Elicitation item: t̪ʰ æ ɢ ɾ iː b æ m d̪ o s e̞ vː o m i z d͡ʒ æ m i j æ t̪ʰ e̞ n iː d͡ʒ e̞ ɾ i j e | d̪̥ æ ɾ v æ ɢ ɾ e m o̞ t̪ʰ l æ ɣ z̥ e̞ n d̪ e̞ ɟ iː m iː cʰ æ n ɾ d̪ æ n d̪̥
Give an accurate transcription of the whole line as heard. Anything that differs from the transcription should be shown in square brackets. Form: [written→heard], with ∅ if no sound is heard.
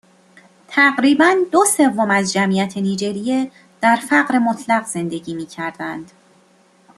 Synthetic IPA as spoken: t̪ʰ æ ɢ ɾ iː b æ [m→n] d̪ o s e̞ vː o m [i→æ] z d͡ʒ æ m i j æ t̪ʰ e̞ n iː d͡ʒ e̞ ɾ i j e | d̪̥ æ ɾ [v→f] æ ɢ ɾ e m o̞ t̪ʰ l æ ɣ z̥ e̞ n d̪ e̞ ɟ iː m iː cʰ æ [n→∅] ɾ d̪ æ n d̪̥